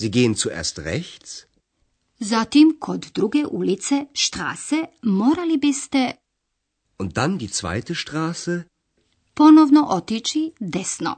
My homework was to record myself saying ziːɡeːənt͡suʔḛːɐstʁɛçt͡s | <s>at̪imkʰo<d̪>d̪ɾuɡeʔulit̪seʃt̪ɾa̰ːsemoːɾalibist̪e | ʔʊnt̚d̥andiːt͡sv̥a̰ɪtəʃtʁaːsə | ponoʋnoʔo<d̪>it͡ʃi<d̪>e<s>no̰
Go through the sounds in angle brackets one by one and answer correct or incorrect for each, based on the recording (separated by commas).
incorrect, correct, incorrect, correct, correct